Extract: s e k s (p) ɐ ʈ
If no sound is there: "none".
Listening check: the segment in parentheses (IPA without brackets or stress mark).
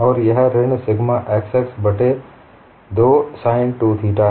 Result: b